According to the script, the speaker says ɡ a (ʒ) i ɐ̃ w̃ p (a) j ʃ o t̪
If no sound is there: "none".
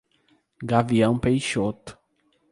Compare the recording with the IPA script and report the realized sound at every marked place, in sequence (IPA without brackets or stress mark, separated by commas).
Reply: v, e